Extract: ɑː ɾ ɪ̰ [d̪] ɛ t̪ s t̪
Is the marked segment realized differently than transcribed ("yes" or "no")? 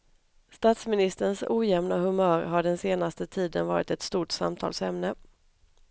yes